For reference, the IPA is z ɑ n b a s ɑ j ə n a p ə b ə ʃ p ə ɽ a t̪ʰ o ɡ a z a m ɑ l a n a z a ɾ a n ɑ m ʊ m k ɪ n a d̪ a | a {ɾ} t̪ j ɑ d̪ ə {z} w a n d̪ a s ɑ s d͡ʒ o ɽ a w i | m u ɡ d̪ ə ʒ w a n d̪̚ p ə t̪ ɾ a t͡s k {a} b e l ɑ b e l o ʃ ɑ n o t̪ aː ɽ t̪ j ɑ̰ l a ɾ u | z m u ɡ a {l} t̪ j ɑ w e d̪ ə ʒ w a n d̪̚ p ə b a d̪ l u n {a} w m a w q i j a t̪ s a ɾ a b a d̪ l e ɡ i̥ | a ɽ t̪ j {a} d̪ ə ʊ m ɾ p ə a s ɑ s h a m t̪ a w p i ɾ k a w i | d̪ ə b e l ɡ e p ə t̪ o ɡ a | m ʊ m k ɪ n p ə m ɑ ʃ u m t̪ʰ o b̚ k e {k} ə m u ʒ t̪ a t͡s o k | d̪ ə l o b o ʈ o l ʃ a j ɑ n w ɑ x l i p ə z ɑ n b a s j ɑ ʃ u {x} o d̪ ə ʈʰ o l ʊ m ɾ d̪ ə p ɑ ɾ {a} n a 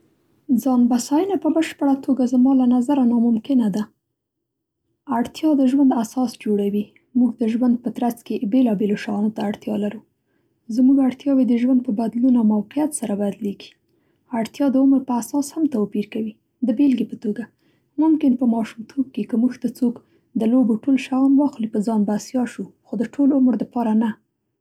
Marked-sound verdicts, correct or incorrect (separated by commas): incorrect, incorrect, incorrect, incorrect, correct, incorrect, correct, correct, correct